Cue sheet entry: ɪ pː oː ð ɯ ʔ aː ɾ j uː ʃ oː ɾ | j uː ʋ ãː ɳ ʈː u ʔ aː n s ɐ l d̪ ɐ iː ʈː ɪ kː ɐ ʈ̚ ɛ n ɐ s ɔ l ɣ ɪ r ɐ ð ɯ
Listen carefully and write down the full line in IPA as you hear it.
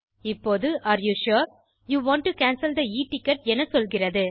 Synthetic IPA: ɪ pː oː ð ɯ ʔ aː ɾ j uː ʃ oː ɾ | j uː ʋ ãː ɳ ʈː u k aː n s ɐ l d̪ ɐ iː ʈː ɪ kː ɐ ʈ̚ ɛ n ɐ s ɔ l ɣ ɪ r ɐ ð ɯ